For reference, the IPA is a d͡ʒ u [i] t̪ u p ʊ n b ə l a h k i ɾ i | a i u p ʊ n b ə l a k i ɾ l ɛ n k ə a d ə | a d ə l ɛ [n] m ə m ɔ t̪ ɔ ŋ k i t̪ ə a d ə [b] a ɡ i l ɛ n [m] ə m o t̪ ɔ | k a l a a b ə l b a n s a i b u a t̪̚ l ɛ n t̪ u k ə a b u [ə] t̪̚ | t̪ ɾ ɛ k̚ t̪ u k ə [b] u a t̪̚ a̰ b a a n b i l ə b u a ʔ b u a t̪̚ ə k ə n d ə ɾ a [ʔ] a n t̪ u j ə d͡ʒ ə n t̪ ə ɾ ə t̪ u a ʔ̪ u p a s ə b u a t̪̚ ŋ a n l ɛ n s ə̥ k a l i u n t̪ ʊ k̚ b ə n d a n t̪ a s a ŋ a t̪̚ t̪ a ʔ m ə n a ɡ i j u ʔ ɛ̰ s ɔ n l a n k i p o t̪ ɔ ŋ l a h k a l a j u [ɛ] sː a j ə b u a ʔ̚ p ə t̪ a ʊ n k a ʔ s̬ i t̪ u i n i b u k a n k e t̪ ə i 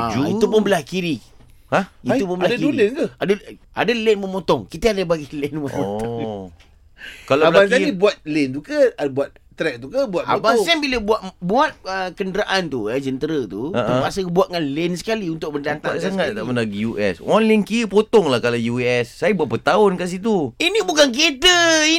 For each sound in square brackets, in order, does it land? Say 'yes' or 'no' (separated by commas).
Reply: yes, yes, yes, yes, no, yes, yes, yes